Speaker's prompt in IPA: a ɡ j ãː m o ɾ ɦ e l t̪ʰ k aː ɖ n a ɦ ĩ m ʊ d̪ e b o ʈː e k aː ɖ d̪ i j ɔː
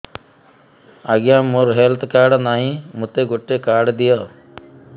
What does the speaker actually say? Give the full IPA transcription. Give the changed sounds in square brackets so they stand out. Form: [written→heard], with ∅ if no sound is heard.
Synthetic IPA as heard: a ɡ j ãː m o ɾ ɦ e l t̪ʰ k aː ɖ n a ɦ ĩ m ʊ [d̪→t̪] e [b→ɡ] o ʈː e k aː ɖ d̪ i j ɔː